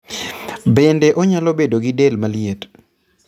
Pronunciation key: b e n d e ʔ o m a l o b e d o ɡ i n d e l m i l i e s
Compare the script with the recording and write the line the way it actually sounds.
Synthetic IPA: b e n d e ʔ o ɲ a l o b e d o ɡ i d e l m a l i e t